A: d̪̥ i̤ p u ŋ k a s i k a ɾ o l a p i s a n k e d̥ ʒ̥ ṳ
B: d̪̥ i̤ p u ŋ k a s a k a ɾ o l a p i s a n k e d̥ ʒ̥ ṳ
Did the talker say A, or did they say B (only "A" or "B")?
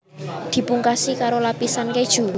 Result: A